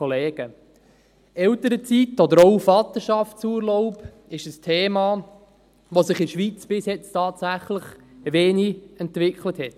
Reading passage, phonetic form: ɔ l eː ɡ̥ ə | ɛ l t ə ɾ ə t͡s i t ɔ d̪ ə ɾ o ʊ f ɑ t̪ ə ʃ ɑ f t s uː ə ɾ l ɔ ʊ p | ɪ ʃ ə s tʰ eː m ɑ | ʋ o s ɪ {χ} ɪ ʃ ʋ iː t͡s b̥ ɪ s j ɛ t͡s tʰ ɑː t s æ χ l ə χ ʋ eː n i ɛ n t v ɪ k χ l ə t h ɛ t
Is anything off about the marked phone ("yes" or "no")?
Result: no